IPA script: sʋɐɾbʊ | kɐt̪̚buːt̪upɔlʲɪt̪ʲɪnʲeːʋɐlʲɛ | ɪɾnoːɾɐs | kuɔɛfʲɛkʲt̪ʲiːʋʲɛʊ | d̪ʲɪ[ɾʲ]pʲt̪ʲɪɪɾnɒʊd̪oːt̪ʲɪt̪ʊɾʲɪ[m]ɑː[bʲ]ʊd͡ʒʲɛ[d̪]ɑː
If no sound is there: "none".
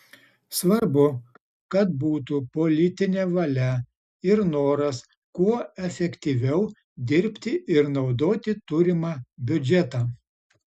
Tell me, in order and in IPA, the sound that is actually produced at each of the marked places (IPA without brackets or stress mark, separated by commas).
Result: ɾʲ, m, bʲ, t̪